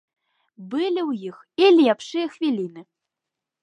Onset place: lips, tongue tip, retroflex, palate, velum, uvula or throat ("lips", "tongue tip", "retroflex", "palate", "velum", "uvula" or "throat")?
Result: lips